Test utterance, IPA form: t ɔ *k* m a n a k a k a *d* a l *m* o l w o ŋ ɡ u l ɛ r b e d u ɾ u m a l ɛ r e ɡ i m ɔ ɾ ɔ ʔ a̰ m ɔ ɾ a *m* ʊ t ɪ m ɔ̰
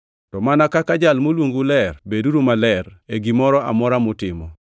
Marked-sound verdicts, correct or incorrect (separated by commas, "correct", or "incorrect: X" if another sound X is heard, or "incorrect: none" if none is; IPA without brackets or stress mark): incorrect: none, incorrect: d͡ʒ, correct, correct